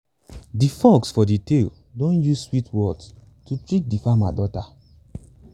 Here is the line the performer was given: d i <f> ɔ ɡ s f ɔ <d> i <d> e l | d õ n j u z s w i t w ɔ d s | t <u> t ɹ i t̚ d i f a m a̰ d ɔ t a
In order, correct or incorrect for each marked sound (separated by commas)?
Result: correct, correct, incorrect, correct